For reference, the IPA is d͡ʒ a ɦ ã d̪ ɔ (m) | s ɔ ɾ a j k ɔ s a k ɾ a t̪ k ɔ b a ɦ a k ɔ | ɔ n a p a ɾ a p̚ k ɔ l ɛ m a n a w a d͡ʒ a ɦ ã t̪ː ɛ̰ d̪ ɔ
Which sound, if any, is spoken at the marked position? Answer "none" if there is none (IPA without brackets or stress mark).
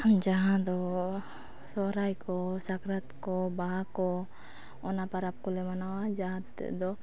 none